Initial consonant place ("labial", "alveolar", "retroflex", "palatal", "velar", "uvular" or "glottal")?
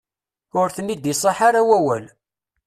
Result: alveolar